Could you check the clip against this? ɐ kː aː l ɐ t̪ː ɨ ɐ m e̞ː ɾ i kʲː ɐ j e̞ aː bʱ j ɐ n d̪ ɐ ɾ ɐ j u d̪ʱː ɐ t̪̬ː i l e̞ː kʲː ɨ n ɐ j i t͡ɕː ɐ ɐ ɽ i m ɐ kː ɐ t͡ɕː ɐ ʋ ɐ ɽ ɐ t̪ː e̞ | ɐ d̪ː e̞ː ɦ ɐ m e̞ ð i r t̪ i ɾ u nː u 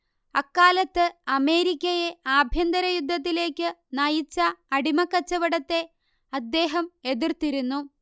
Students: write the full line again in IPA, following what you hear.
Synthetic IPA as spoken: ɐ kː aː l ɐ t̪ː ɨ ɐ m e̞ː ɾ i kʲː ɐ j e̞ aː bʱ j ɐ n d̪ ɐ ɾ ɐ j u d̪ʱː ɐ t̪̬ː i l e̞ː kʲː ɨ n ɐ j i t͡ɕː ɐ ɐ ɽ i m ɐ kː ɐ t͡ɕː ɐ ʋ ɐ ɽ ɐ t̪ː e̞ | ɐ d̪ː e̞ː ɦ ɐ m e̞ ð i r t̪ i ɾ u nː u